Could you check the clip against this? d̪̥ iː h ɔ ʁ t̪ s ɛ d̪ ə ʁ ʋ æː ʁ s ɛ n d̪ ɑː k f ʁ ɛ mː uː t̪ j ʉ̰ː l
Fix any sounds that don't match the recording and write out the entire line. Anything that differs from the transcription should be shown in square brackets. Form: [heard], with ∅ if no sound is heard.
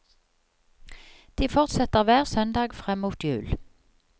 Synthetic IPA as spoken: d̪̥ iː [f] ɔ ʁ t̪ s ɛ [t̪] ə ʁ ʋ æː ʁ s [œ] n d̪ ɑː [ɡ] f ʁ ɛ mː uː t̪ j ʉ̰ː l